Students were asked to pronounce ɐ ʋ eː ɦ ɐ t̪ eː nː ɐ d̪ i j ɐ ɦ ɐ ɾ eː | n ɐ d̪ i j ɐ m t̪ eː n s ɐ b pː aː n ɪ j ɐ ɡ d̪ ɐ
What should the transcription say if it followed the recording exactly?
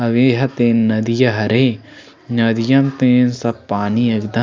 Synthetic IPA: ɐ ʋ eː ɦ ɐ t̪ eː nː ɐ d̪ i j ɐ ɦ ɐ ɾ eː | n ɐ d̪ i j ɐ m t̪ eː n s ɐ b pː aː n i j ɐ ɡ d̪ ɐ